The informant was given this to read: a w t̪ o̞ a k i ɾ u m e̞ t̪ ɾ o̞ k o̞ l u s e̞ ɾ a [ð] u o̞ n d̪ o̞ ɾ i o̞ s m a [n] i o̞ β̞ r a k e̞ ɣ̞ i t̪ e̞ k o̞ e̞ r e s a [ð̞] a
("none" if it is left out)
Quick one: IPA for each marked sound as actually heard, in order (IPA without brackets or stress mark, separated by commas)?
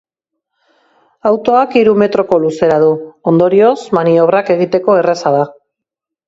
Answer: ð, n, ð̞